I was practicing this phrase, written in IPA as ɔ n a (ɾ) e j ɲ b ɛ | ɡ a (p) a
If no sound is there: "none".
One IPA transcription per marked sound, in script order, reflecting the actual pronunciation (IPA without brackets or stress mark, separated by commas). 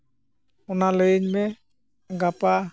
l, p